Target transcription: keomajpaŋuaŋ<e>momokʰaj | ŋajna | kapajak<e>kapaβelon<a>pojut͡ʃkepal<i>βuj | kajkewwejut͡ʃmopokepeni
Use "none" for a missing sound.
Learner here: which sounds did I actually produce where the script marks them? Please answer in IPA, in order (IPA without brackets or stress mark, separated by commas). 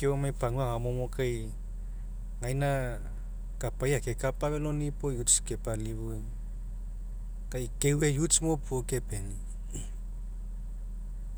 a, e, i, i